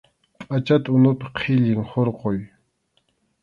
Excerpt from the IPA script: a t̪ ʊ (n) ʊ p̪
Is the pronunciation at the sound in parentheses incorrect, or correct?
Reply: correct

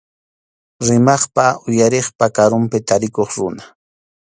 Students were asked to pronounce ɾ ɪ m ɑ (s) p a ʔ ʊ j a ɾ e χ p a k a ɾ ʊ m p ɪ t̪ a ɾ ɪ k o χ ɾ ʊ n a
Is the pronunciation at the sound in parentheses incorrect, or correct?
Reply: incorrect: χ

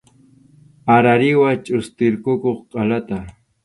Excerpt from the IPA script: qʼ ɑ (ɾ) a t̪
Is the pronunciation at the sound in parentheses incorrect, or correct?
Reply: incorrect: l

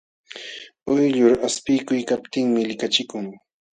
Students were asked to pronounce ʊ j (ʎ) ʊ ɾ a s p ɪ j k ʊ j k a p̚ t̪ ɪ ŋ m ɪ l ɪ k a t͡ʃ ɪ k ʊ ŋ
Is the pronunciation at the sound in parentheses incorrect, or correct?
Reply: correct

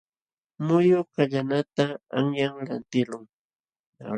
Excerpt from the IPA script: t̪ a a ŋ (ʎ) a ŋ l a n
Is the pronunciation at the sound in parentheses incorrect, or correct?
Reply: incorrect: j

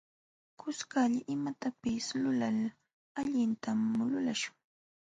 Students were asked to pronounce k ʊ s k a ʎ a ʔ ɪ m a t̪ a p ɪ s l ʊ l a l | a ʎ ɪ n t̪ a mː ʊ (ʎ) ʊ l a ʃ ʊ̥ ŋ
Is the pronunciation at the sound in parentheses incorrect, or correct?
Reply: incorrect: l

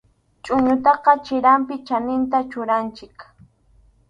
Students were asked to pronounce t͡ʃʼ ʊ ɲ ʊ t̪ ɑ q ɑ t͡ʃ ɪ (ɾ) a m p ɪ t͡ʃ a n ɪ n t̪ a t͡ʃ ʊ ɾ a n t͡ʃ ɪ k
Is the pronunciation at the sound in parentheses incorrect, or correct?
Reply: correct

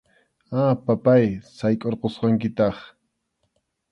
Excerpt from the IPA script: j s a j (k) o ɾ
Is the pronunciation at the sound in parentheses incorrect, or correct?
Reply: incorrect: kʼ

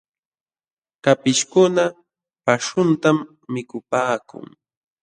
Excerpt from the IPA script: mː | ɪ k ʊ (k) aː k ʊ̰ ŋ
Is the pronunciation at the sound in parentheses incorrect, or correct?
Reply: incorrect: p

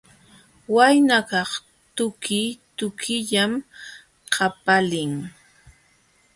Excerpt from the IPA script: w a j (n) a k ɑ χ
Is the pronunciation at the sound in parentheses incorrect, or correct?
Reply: correct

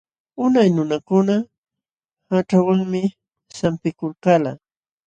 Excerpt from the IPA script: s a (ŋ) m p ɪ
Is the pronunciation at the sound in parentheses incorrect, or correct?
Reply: incorrect: none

